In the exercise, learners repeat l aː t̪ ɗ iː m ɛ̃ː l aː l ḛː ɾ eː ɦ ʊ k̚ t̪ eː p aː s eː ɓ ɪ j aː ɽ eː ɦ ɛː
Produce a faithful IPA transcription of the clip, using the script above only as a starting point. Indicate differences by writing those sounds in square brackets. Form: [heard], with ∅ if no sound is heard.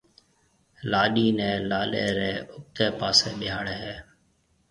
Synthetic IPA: l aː [∅] ɗ iː [n] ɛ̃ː l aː l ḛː ɾ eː [∅] ʊ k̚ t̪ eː p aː s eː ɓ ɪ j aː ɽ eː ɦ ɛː